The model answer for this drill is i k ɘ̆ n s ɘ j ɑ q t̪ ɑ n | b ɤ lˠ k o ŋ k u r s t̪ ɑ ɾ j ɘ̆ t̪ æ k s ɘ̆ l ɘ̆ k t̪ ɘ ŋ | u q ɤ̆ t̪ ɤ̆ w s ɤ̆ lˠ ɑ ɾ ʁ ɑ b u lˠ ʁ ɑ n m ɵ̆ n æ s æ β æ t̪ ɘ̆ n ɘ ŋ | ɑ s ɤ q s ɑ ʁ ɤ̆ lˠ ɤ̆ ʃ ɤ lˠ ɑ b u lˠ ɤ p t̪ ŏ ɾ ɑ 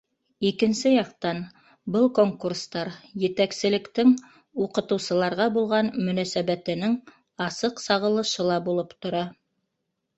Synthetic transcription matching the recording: i k ɘ̆ n s ɘ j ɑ q t̪ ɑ n | b ɤ lˠ k o ŋ k u r s t̪ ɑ ɾ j ɘ̆ t̪ æ k s ɘ̆ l ɘ̆ k t̪ ɘ ŋ | u q ɤ̆ t̪ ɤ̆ w s ɤ̆ lˠ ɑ ɾ ʁ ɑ b u lˠ ʁ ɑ n m ɵ̆ n æ s æ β æ t̪ ɘ̆ n ɘ ŋ | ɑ s ɤ q s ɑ ʁ ɤ̆ lˠ ɤ̆ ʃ ɤ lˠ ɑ b u lˠ ɤ p t̪ ŏ ɾ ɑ

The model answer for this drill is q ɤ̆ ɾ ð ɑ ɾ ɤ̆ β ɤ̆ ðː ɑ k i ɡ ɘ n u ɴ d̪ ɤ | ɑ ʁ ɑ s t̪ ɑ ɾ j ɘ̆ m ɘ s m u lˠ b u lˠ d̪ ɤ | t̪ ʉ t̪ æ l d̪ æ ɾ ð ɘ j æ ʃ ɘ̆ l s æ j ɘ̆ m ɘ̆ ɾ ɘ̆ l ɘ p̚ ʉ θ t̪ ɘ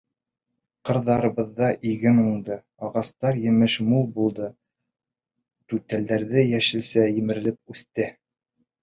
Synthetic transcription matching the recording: q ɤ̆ ɾ ð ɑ ɾ ɤ̆ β ɤ̆ ðː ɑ ʔ i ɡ ɘ n u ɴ d̪ ɤ | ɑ ʁ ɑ s t̪ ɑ ɾ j ɘ̆ m ɘ ʃ m u lˠ b u lˠ d̪ ɤ | t̪ ʉ t̪ æ l d̪ æ ɾ ð ɘ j æ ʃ ɘ̆ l s æ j ɘ̆ m ɘ̆ ɾ ɘ̆ l ɘ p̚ ʉ θ t̪ ɘ

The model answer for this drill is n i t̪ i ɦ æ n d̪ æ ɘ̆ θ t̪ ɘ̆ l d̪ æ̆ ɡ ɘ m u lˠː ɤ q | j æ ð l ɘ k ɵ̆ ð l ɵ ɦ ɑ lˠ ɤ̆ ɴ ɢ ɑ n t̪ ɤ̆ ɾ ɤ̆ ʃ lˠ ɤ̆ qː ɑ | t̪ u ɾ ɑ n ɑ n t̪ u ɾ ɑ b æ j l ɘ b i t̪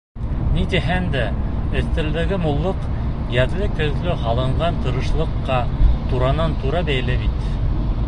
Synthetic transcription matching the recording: n i t̪ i ɦ æ n d̪ æ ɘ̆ θ t̪ ɘ̆ l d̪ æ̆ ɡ ɘ m u lˠː ɤ q | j æ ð l ɘ k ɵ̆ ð l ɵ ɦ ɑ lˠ ɤ̆ ɴ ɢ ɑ n t̪ ɤ̆ ɾ ɤ̆ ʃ lˠ ɤ̆ qː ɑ | t̪ u ɾ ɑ n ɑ n t̪ u ɾ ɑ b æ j l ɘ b i t̪

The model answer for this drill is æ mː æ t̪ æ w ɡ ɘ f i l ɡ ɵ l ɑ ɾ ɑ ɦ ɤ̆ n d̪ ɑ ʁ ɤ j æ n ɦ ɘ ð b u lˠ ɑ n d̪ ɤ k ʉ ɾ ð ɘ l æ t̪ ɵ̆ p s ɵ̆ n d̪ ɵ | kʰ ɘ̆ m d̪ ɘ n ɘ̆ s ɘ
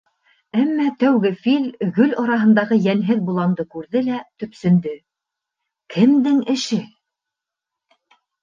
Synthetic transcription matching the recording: æ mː æ t̪ æ w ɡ ɘ f i l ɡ ɵ l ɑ ɾ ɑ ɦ ɤ̆ n d̪ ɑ ʁ ɤ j æ n ɦ ɘ ð b u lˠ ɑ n d̪ ɤ k ʉ ɾ ð ɘ l æ t̪ ɵ̆ p s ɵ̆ n d̪ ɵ | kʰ ɘ̆ m d̪ ɘ ŋ ɘ̆ ʃ ɘ

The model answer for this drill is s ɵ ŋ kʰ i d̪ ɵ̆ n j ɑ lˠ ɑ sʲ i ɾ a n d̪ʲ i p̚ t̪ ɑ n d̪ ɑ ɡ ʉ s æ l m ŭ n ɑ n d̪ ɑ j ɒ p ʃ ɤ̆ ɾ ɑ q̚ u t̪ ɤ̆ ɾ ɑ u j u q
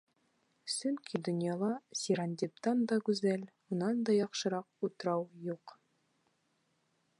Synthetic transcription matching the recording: s ɵ ŋ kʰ i d̪ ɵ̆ n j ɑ lˠ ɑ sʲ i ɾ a n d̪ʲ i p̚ t̪ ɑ n d̪ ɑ ɡ ʉ z æ l m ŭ n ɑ n d̪ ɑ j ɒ q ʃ ɤ̆ ɾ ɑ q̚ u t̪ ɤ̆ ɾ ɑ w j u q

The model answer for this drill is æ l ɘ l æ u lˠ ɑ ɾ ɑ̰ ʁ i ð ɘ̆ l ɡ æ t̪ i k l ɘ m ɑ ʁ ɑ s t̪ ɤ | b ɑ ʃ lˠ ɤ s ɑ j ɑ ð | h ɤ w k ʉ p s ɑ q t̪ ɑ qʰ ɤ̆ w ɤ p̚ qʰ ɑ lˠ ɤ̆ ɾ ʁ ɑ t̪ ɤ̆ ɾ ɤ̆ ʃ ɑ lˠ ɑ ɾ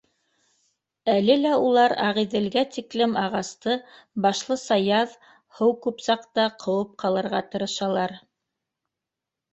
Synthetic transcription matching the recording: æ l ɘ l æ u lˠ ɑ ɾ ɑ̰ ʁ i ð ɘ̆ l ɡ æ t̪ i k l ɘ m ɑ ʁ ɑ s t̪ ɤ | b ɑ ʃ lˠ ɤ s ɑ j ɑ ð | h ɤ w k ʉ p s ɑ q t̪ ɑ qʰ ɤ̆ w ɤ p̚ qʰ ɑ lˠ ɤ̆ ɾ ʁ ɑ t̪ ɤ̆ ɾ ɤ̆ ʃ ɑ lˠ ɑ ɾ

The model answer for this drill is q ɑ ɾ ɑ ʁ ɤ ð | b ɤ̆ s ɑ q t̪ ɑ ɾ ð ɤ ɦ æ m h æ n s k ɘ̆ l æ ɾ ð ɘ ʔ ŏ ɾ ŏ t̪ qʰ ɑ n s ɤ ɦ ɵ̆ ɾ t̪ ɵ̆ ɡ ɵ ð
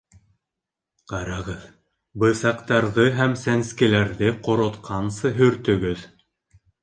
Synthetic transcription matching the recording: q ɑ ɾ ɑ ʁ ɤ ð | b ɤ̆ s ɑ q t̪ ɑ ɾ ð ɤ ɦ æ m s æ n s k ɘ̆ l æ ɾ ð ɘ q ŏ ɾ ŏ t̪ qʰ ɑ n s ɤ ɦ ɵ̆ ɾ t̪ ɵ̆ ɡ ɵ ð

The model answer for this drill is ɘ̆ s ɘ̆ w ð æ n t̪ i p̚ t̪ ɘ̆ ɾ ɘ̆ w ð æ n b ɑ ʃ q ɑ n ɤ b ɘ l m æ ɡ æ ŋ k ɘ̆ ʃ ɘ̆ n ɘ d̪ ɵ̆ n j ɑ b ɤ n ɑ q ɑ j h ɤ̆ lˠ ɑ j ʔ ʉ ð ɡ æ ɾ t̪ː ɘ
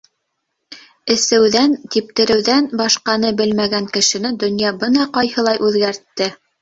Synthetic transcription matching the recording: ɘ̆ s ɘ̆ w ð æ n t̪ i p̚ t̪ ɘ̆ ɾ ɘ̆ w ð æ n b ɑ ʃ q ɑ n ɤ b ɘ l m æ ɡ æ ŋ k ɘ̆ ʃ ɘ̆ n ɘ d̪ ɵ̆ n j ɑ b ɤ n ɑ q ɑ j h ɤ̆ lˠ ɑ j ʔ ʉ ð ɡ æ ɾ t̪ː ɘ

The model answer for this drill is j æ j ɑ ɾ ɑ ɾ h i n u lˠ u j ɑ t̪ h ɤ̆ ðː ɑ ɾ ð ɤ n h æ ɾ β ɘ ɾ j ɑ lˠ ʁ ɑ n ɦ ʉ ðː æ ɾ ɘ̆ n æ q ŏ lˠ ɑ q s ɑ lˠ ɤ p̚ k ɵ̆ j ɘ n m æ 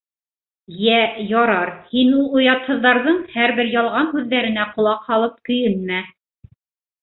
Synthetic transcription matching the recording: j æ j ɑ ɾ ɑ ɾ h i n u lˠ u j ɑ t̪ h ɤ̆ ðː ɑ ɾ ð ɤ ɴ h æ ɾ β ɘ ɾ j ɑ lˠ ʁ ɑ n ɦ ʉ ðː æ ɾ ɘ̆ n æ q ŏ lˠ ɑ q h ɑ lˠ ɤ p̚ k ɵ̆ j ɘ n m æ

